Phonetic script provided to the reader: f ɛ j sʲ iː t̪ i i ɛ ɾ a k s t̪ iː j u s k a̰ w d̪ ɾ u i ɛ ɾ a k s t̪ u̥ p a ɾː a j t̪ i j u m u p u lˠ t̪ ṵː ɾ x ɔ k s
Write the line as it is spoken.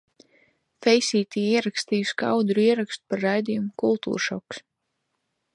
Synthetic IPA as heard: f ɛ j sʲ iː t̪ i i ɛ ɾ a k s t̪ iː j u s k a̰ w d̪ ɾ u i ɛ ɾ a k s t̪ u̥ p a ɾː a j d̪ i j u m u k u lˠ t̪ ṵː ɾ ʃ ɔ k s